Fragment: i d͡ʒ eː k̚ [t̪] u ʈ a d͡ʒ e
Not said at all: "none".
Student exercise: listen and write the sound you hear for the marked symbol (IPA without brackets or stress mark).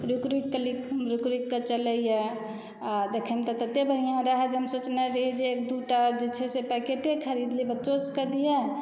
d̪